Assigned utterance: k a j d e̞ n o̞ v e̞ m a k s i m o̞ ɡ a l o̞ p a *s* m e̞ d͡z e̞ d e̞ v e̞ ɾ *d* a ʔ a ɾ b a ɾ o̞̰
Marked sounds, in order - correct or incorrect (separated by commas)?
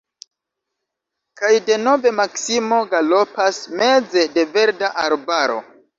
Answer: correct, correct